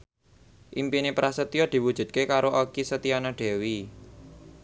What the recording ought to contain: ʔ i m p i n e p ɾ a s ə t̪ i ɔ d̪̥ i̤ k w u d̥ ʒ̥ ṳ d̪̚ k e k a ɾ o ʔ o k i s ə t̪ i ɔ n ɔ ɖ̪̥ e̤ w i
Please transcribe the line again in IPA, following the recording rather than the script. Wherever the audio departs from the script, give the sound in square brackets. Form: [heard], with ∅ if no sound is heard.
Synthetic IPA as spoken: ʔ i m p i n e p ɾ a s ə t̪ i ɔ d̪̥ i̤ [∅] w u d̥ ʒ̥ ṳ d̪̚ k e k a ɾ o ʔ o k i s ə t̪ i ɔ n ɔ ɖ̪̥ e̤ w i